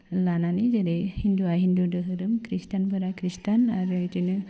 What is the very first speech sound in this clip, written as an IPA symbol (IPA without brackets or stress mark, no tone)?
l